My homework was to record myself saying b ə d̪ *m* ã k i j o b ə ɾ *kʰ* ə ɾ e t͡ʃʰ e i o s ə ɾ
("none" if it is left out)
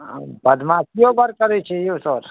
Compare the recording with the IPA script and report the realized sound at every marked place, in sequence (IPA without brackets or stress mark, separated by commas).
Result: m, k